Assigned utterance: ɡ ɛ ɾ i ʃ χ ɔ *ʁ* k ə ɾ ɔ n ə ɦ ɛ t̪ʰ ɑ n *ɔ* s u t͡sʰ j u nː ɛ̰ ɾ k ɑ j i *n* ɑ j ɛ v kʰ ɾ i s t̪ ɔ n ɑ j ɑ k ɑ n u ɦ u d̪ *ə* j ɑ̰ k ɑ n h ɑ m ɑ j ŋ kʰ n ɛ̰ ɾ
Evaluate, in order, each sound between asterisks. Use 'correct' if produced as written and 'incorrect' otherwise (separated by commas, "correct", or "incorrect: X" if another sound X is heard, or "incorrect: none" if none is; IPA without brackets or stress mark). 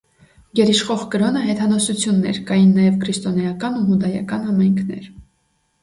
correct, correct, incorrect: nː, incorrect: ɑ